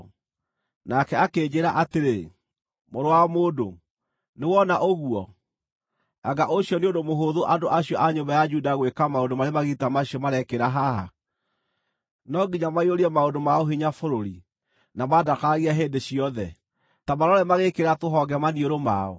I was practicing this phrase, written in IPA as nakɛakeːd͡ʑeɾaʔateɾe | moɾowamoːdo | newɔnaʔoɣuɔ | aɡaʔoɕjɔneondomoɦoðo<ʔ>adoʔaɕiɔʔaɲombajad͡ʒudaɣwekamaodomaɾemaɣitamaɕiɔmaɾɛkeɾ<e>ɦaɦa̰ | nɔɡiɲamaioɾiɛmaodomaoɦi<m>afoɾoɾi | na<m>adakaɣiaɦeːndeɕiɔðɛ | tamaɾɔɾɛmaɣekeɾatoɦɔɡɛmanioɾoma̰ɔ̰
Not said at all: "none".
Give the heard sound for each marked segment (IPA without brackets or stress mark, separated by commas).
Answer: ʔ, a, ɲ, m